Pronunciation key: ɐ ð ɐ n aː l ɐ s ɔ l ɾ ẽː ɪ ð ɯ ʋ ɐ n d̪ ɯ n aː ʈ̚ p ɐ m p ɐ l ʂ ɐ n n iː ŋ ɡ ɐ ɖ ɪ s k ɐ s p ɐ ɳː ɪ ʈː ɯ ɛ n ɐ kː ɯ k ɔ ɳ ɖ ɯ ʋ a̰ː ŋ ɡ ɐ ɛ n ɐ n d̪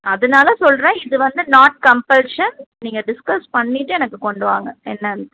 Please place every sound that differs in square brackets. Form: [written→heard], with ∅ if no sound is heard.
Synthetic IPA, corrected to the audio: ɐ ð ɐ n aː l ɐ s ɔ l ɾ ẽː ɪ ð ɯ ʋ ɐ n d̪ ɯ n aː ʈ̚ [p→k] ɐ m p ɐ l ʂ ɐ n n iː ŋ ɡ ɐ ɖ ɪ s k ɐ s p ɐ ɳː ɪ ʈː ɯ ɛ n ɐ kː ɯ k ɔ ɳ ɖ ɯ ʋ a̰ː ŋ ɡ ɐ ɛ [n→nː] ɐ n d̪